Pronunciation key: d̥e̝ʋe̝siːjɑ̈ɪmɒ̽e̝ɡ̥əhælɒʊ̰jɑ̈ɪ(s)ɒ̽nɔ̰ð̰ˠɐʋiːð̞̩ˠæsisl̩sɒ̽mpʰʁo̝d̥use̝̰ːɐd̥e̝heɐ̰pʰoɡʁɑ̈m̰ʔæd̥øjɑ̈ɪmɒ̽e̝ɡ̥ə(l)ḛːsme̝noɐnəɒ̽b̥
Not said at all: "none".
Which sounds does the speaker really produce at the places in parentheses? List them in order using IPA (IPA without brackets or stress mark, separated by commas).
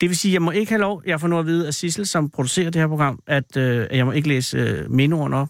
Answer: f, l